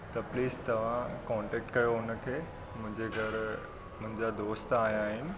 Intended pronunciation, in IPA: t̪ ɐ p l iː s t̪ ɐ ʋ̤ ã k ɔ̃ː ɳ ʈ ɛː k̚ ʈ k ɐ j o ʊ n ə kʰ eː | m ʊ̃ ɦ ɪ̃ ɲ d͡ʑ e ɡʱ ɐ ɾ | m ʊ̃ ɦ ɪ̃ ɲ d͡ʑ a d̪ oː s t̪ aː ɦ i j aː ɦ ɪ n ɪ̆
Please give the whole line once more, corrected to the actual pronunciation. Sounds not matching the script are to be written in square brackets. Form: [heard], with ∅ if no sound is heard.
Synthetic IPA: t̪ ɐ p l iː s t̪ ɐ ʋ̤ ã k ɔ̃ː ɳ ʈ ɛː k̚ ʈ k ɐ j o ʊ n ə kʰ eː | m ʊ̃ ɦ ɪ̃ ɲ d͡ʑ e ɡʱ ɐ ɾ | m ʊ̃ ɦ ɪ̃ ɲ d͡ʑ a d̪ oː s t̪ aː ɦ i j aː ɦ ɪ n ɪ̆